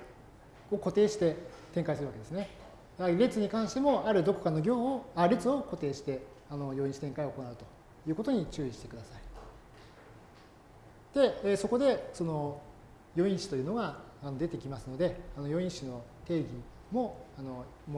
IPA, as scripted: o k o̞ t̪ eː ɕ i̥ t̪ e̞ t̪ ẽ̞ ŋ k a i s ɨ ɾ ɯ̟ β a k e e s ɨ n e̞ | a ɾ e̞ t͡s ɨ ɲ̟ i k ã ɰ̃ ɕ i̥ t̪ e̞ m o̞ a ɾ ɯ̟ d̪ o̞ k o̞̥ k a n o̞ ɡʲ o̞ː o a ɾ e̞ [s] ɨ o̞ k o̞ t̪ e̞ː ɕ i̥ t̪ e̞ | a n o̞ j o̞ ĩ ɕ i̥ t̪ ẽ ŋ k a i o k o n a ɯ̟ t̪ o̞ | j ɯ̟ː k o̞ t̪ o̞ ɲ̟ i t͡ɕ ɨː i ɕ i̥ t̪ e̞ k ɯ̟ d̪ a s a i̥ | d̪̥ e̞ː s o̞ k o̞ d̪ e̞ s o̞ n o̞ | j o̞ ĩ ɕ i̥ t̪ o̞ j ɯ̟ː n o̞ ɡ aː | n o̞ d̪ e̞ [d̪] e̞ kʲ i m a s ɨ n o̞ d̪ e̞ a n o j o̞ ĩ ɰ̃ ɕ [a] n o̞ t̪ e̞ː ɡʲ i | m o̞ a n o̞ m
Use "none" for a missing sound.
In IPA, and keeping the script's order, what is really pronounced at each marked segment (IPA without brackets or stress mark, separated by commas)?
t͡s, t̪, i